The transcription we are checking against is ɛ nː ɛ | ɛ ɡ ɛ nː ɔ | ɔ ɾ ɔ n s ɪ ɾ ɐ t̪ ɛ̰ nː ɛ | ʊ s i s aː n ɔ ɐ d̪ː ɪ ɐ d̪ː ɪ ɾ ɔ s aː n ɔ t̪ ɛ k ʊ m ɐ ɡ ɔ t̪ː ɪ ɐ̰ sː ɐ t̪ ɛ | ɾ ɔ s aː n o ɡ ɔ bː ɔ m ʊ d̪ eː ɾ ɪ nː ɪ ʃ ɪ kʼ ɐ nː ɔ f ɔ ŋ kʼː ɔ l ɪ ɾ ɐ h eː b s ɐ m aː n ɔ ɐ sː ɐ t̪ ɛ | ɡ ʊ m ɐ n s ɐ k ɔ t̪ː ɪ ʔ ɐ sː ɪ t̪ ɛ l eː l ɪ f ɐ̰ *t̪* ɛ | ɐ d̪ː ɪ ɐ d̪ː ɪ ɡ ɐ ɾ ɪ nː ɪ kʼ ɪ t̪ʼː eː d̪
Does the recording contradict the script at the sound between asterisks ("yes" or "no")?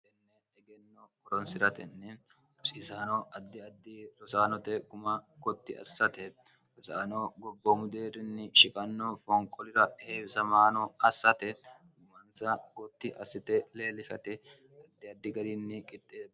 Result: no